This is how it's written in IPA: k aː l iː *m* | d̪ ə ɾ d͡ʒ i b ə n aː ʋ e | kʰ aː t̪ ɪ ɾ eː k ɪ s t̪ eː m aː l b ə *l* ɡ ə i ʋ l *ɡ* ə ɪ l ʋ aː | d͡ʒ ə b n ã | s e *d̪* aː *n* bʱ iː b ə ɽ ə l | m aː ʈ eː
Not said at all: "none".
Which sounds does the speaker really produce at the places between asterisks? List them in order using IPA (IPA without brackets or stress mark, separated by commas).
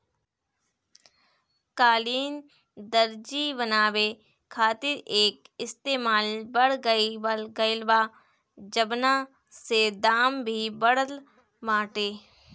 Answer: n, ɽ, ɡ, d̪, m